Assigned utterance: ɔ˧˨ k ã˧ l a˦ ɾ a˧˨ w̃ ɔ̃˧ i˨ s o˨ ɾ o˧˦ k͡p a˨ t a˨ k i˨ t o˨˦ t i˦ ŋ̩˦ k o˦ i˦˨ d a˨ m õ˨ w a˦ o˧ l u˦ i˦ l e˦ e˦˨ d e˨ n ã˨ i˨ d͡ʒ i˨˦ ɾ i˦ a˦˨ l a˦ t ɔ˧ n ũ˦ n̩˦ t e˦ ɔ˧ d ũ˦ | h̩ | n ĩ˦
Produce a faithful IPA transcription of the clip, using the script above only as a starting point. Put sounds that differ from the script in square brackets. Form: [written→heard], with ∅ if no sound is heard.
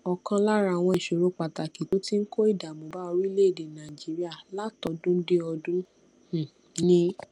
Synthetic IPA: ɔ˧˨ k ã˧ l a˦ ɾ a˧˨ w̃ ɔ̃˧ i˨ [s→ʃ] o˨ ɾ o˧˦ k͡p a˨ t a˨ k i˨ t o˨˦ t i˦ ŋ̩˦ k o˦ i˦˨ d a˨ m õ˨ [w→b] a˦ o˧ [l→ɾ] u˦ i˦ l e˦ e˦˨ d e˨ n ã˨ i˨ d͡ʒ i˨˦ ɾ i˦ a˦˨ l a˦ t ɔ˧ [n→d] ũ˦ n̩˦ [t→d] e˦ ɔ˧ d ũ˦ | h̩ | n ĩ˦